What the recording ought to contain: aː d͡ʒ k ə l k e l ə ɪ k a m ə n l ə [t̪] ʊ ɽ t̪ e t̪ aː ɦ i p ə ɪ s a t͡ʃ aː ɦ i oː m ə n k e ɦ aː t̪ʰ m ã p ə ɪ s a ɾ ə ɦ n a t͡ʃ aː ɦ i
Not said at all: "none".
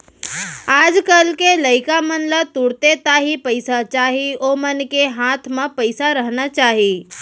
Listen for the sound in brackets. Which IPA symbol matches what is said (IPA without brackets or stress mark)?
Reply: t̪